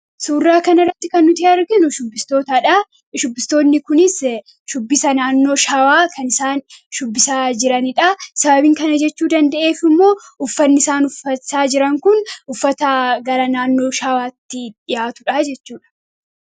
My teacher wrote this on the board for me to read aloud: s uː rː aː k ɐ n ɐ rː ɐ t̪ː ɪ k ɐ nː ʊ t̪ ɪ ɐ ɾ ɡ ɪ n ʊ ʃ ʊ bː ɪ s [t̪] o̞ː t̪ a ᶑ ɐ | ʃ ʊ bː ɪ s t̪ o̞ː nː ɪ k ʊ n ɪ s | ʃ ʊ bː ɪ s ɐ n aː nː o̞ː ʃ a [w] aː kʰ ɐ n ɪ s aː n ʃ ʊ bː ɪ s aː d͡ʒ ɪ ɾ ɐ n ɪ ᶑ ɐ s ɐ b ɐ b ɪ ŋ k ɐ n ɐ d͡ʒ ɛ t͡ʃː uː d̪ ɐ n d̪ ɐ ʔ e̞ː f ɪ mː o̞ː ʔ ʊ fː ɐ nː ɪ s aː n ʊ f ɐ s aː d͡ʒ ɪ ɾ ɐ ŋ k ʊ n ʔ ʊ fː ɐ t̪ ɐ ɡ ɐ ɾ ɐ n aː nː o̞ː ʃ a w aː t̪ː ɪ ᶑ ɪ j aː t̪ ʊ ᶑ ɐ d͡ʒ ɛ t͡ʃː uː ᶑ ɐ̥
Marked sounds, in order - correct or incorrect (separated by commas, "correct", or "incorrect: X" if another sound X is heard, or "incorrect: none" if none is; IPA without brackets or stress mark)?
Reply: correct, correct